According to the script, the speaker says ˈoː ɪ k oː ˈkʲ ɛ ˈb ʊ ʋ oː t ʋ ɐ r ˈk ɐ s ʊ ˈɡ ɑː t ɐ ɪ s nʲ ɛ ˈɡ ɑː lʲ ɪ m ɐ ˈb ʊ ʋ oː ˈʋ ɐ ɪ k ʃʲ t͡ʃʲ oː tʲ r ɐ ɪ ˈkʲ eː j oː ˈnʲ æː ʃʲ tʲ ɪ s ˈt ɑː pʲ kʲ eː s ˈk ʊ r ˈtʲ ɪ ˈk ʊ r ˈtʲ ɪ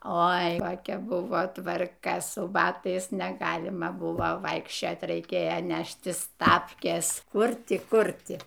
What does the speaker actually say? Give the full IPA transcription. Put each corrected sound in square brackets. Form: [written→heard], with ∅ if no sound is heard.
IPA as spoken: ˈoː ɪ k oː ˈkʲ ɛ ˈb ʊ ʋ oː t ʋ ɐ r ˈk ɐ s ʊ [ˈɡ→ˈb] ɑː t ɐ ɪ s nʲ ɛ ˈɡ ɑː lʲ ɪ m ɐ ˈb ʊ ʋ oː ˈʋ ɐ ɪ k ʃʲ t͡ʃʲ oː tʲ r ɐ ɪ ˈkʲ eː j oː ˈnʲ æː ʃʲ tʲ ɪ s ˈt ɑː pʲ kʲ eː s ˈk ʊ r ˈtʲ ɪ ˈk ʊ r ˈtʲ ɪ